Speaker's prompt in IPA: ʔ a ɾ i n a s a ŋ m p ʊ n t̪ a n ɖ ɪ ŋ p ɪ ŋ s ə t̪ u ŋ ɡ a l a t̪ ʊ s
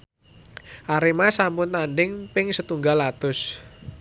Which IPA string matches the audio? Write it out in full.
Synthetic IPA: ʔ a ɾ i m a s a m p ʊ n t̪ a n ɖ ɪ ŋ p ɪ ŋ s ə t̪ u ŋ ɡ a l a t̪ ʊ s